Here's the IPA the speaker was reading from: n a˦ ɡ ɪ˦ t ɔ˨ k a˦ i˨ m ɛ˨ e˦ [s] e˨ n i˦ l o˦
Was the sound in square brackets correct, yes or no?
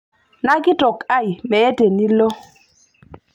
no